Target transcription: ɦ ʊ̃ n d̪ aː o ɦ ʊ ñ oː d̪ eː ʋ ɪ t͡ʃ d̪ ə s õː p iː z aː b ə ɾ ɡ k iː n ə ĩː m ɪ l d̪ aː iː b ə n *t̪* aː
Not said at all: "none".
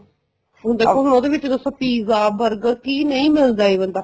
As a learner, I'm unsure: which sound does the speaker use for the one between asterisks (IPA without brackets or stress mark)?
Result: d̪